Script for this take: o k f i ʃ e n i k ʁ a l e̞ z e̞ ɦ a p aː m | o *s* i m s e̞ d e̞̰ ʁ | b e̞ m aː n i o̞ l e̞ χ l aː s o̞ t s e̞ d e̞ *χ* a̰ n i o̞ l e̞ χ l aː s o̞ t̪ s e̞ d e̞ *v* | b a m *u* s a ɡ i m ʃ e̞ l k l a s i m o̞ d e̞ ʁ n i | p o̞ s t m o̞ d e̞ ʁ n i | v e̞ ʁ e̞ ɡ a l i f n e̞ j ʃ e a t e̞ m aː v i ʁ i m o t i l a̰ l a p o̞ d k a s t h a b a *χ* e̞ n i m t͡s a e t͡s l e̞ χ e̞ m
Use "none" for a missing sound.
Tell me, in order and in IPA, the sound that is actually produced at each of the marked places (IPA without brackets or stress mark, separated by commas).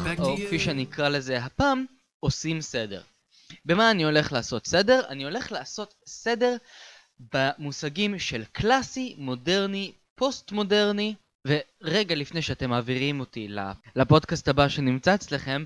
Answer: s, ʁ, ʁ, u, ʃ